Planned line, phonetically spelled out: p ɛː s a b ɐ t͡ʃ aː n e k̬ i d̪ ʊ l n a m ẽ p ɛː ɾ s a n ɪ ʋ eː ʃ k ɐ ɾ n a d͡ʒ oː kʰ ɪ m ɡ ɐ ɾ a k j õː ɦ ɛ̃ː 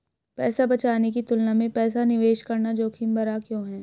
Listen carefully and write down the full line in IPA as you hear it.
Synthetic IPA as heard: p ɛː s a b ɐ t͡ʃ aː n e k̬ i t̪ ʊ l n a m ẽ p ɛː s a n ɪ ʋ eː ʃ k ɐ ɾ n a d͡ʒ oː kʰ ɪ m b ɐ ɾ a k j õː ɦ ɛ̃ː